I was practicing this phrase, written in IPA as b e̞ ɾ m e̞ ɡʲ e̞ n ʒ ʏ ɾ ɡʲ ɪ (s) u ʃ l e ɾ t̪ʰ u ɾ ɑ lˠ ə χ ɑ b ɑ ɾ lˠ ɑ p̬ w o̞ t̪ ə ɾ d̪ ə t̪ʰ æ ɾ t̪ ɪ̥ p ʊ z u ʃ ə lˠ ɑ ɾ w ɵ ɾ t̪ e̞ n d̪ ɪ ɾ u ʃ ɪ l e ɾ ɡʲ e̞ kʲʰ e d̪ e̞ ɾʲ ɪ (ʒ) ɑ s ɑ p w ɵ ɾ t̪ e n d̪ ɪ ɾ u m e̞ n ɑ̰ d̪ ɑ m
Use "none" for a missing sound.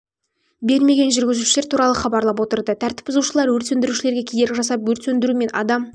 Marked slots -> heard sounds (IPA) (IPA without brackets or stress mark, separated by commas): z, ʒ